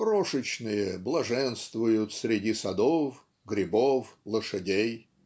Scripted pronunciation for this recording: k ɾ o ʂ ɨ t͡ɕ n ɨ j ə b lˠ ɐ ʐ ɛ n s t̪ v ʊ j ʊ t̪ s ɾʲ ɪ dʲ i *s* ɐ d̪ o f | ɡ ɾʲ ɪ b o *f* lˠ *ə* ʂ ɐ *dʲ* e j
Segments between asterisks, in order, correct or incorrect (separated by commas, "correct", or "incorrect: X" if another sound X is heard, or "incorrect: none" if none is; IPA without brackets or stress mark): correct, correct, correct, correct